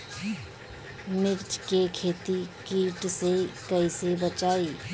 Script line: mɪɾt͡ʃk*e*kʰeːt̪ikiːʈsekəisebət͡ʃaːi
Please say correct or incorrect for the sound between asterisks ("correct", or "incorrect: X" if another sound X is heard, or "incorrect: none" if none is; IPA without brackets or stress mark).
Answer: correct